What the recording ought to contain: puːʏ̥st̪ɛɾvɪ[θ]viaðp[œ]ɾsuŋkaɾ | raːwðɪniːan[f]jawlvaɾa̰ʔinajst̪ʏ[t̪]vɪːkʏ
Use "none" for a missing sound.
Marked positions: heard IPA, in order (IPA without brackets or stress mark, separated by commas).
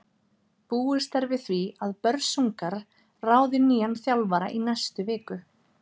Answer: θ, œ, θ, none